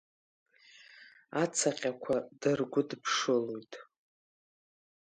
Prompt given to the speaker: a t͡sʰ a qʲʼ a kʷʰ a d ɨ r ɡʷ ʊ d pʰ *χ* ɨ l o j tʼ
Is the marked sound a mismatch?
yes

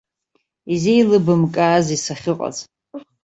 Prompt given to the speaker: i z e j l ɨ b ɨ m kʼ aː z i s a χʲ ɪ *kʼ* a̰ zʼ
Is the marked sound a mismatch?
yes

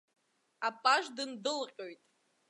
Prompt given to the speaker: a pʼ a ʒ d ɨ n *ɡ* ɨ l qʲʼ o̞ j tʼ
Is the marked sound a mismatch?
yes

